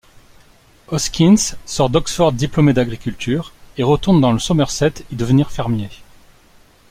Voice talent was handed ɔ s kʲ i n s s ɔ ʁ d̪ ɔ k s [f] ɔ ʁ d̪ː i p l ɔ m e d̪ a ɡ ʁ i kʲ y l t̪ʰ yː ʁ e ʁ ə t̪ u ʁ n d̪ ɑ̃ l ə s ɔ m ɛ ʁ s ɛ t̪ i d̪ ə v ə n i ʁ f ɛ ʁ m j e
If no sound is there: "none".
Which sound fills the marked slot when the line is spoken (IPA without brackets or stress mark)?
f